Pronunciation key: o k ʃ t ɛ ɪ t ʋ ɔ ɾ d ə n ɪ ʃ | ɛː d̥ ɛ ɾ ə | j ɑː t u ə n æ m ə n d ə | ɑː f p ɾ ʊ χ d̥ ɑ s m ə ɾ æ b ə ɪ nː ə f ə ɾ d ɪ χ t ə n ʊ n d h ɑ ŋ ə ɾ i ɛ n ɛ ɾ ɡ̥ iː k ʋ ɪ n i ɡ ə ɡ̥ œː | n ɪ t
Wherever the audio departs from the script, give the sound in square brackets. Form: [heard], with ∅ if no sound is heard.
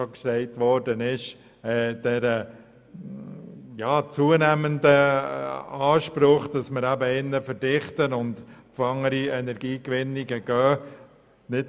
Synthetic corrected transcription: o k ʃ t ɛ ɪ t ʋ ɔ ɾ d ə n ɪ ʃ | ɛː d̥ ɛ ɾ ə | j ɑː [t͡s] u ə n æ m ə n d ə | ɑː [ʃ] p ɾ ʊ χ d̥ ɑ s m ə ɾ æ b ə ɪ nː ə f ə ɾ d ɪ χ t ə n ʊ n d [f] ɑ ŋ ə ɾ i ɛ n ɛ ɾ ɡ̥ iː k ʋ ɪ n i ɡ ə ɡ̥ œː | n ɪ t